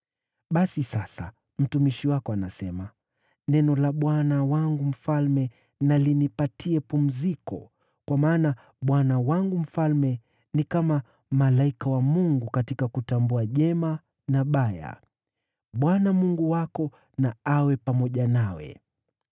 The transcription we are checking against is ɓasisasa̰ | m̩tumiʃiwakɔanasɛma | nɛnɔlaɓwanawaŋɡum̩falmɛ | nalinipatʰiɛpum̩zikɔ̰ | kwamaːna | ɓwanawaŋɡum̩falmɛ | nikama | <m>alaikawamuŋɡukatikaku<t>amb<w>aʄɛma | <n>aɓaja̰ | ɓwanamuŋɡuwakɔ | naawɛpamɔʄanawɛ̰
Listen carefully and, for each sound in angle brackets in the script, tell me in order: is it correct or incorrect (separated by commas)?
correct, correct, incorrect, correct